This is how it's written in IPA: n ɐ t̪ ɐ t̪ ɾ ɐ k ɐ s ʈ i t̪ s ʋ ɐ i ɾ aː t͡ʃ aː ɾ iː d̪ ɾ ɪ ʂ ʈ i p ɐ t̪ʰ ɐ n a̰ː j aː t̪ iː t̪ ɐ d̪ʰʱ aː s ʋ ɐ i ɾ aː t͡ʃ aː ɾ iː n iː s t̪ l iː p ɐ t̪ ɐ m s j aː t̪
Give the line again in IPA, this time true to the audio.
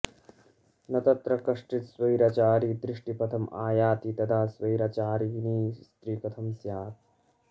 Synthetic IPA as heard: n ɐ t̪ ɐ t̪ ɾ ɐ k ɐ ʂ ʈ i t̪ s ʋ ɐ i ɾ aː t͡ʃ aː ɾ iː d̪ ɾ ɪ ʂ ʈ i p ɐ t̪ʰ ɐ m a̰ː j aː t̪ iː t̪ ɐ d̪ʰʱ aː s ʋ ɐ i ɾ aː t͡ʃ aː ɾ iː n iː s t̪ ɾ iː p ɐ t̪ʰ ɐ m s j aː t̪